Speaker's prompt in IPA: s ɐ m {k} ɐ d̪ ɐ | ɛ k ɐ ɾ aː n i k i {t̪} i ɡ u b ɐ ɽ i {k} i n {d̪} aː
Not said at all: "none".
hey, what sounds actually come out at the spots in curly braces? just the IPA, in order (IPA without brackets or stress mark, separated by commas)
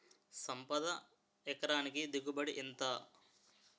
p, d̪, ʔ, t̪